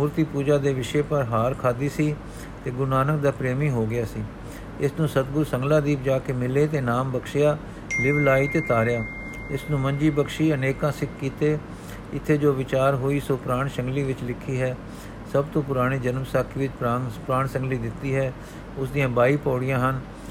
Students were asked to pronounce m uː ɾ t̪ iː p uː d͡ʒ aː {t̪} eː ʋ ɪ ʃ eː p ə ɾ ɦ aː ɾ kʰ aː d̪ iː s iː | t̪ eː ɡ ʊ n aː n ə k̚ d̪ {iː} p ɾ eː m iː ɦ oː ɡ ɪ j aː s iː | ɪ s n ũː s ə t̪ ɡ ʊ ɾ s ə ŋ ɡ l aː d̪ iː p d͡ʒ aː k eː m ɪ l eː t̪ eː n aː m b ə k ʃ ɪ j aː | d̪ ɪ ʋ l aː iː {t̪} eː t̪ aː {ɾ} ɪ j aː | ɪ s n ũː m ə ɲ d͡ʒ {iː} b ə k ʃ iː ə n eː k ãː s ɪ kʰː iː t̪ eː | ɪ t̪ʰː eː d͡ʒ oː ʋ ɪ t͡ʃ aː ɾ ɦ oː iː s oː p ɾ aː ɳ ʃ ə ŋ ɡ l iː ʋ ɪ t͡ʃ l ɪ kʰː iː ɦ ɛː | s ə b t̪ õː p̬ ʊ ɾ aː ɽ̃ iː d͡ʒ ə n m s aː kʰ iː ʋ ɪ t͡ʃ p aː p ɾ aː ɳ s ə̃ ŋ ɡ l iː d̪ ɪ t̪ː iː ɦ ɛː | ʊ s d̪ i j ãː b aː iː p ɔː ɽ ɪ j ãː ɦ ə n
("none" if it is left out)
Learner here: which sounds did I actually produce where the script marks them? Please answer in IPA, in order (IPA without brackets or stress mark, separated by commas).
d̪, aː, t̪, ɾ, iː